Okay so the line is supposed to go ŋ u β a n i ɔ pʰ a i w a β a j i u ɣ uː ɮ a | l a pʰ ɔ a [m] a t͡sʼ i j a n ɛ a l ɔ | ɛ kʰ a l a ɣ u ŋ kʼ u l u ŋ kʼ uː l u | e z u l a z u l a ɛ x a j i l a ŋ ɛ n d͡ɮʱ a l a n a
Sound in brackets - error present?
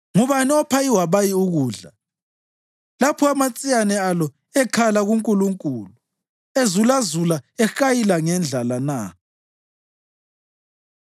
no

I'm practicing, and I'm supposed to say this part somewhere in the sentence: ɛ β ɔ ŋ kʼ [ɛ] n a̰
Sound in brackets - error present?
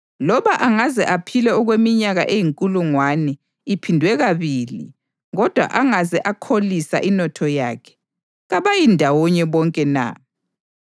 no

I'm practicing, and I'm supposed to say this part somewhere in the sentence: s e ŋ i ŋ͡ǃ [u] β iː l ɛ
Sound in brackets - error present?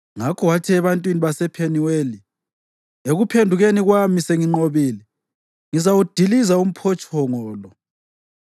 yes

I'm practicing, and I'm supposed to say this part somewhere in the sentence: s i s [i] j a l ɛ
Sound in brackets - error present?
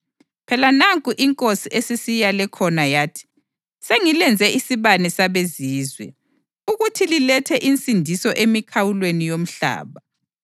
no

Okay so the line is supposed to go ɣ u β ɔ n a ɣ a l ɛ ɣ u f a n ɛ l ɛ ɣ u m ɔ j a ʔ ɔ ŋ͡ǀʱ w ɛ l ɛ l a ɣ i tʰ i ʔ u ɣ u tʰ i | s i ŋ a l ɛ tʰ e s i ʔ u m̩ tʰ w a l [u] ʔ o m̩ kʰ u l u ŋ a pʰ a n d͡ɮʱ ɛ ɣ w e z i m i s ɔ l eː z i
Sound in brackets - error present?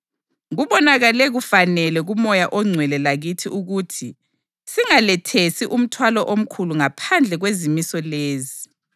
yes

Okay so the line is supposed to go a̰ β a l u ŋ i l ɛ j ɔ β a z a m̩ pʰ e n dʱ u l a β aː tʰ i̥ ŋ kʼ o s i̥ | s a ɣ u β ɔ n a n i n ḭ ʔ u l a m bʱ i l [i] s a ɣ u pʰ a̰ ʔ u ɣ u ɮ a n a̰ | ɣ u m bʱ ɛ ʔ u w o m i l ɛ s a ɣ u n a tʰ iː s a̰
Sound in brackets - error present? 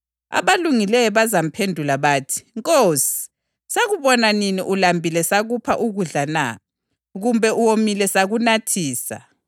yes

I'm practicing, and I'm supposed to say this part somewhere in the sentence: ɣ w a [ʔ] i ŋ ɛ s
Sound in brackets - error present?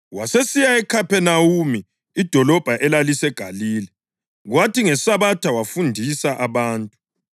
yes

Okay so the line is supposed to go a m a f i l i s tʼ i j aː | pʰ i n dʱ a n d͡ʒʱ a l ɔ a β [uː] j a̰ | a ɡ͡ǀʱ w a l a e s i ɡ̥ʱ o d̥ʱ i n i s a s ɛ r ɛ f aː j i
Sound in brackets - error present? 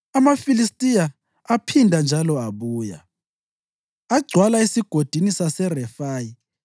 no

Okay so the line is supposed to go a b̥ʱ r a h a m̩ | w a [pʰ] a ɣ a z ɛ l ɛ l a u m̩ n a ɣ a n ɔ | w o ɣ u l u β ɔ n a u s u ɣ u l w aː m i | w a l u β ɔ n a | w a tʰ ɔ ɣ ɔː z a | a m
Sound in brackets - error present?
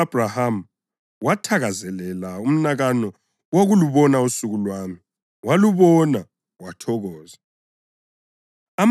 yes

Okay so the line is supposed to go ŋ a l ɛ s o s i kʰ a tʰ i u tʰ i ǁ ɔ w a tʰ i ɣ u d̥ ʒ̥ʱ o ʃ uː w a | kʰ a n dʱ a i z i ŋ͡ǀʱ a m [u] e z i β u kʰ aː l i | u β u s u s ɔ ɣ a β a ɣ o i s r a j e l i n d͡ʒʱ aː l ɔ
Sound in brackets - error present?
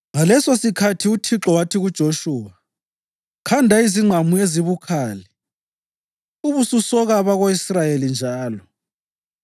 no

